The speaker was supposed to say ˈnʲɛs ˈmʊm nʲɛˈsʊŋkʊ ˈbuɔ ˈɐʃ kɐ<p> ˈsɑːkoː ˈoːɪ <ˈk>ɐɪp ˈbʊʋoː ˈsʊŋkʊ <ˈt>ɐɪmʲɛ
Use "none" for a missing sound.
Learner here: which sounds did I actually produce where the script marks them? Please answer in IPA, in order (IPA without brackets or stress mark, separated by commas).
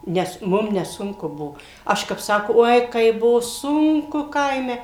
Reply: p, k, k